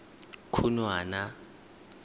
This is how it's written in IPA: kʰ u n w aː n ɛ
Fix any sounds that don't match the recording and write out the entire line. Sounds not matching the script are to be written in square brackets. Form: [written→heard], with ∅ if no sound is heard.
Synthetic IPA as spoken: kʰ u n w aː n [ɛ→a]